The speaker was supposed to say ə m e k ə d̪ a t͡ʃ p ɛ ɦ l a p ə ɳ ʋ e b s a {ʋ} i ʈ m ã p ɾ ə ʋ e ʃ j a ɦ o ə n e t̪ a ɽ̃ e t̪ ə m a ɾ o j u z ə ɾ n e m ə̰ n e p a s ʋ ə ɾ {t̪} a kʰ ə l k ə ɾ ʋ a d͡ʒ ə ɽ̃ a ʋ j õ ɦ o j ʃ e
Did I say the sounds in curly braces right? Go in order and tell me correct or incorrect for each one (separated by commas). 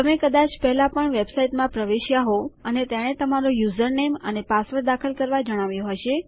incorrect, incorrect